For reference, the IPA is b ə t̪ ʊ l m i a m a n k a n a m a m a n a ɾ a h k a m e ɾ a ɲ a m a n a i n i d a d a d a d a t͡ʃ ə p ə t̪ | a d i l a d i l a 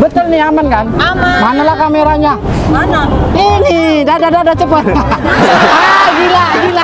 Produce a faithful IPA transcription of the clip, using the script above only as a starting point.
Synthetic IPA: b ə t̪ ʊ l n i a m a n k a n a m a m a n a l a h k a m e ɾ a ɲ a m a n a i n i d a d a d a d a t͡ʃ ə p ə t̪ | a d i l a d i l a